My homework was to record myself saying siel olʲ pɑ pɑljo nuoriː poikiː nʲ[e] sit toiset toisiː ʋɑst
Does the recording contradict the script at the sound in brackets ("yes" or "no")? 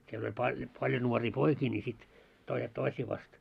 yes